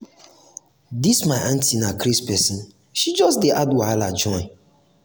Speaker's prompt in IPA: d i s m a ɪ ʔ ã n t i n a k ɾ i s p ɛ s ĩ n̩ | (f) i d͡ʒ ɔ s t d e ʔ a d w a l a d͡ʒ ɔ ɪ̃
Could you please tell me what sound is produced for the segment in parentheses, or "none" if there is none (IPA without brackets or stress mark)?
ʃ